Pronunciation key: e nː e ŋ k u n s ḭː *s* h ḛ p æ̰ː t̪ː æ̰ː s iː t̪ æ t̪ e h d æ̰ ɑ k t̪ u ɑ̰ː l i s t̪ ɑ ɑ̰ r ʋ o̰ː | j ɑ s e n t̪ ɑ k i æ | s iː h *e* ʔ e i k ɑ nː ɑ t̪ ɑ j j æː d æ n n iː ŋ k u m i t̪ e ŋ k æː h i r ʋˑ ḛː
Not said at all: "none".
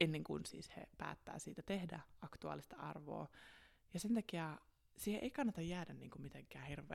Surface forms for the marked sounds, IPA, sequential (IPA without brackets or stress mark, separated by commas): s, e